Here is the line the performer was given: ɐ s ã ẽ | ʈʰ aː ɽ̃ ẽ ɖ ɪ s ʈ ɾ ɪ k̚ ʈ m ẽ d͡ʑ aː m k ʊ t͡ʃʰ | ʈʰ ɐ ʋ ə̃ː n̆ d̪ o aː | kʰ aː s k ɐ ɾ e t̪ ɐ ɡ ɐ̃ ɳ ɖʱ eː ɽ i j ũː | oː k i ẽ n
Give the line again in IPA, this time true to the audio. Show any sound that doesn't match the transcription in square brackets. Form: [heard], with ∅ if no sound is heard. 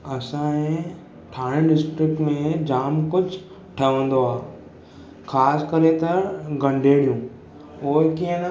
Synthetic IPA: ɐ s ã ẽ | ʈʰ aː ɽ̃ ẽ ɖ ɪ s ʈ ɾ ɪ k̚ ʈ m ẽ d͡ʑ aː m k ʊ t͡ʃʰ | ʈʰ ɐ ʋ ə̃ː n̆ d̪ o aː | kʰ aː s k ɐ ɾ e t̪ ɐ ɡ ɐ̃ ɳ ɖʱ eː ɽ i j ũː | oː k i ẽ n

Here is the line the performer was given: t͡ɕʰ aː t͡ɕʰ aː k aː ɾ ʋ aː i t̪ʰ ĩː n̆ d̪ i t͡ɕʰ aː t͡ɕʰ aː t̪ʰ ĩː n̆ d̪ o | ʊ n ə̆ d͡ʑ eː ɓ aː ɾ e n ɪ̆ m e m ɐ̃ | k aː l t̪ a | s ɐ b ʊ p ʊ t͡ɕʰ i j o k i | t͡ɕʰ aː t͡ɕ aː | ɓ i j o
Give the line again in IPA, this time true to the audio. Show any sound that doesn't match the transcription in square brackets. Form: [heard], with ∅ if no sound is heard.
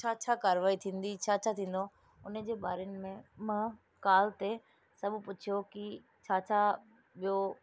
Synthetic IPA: t͡ɕʰ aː t͡ɕʰ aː k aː ɾ ʋ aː i t̪ʰ ĩː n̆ d̪ i t͡ɕʰ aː t͡ɕʰ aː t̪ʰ ĩː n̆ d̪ o | ʊ n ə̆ d͡ʑ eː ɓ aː ɾ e n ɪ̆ m [ẽ] m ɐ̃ | k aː l t̪ [e] | s ɐ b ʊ p ʊ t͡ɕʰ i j o k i | t͡ɕʰ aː [t͡ɕʰ] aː | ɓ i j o

